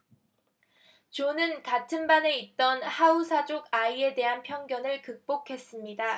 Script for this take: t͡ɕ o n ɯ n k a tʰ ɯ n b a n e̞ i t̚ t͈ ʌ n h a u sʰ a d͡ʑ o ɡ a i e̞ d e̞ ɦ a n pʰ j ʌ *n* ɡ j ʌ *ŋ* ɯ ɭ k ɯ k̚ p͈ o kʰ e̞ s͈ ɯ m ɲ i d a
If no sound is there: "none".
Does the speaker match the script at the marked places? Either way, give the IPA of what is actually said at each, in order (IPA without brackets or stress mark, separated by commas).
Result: ŋ, n